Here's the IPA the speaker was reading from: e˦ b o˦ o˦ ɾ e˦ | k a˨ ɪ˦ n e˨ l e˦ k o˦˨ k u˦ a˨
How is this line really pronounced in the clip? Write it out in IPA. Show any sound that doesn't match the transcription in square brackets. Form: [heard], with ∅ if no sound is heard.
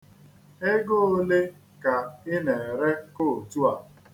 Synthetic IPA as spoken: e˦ [ɡ] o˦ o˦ [l] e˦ | k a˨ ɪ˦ n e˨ [ɾ] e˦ k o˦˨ [t] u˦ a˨